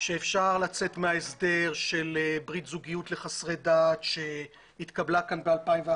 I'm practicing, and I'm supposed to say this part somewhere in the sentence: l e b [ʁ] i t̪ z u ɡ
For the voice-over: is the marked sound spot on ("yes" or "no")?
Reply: yes